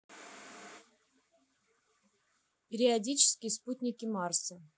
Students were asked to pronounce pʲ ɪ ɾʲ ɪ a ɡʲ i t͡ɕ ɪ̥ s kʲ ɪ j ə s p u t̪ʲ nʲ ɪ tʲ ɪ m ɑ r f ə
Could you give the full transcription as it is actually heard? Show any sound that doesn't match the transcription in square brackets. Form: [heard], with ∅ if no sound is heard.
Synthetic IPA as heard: pʲ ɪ ɾʲ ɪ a [dʲ] i t͡ɕ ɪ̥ s kʲ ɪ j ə s p u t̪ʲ nʲ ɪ [kʲ] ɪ m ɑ r [s] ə